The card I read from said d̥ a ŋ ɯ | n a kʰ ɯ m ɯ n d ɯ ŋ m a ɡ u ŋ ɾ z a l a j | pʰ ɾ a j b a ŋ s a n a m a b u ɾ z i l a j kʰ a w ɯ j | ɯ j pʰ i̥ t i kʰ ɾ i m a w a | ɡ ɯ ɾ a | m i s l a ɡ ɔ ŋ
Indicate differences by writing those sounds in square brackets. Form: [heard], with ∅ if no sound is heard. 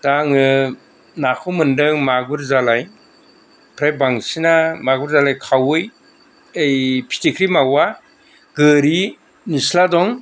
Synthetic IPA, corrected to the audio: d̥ a ŋ ɯ | n a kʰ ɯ m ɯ n d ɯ ŋ m a ɡ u [∅] ɾ z a l a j | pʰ ɾ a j b a ŋ s [i] n a m a [ɡ] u ɾ z [a] l a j kʰ a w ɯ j | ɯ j pʰ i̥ t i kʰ ɾ i m a w a | ɡ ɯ ɾ [i] | [n] i s l a [d] ɔ ŋ